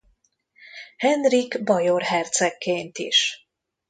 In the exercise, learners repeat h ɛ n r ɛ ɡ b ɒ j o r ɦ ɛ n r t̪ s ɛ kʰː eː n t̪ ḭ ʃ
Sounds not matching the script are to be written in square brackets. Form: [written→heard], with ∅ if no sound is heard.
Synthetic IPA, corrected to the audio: h ɛ n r [ɛ→i] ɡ b ɒ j o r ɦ ɛ [n→∅] r t̪ s ɛ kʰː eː n t̪ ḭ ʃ